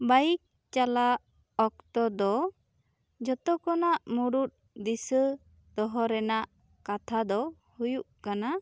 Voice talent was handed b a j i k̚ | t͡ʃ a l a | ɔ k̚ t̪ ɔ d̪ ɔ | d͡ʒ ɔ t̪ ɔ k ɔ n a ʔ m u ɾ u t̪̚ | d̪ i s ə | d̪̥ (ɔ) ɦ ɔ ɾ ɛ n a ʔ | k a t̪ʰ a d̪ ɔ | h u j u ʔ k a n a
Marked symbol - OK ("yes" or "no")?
yes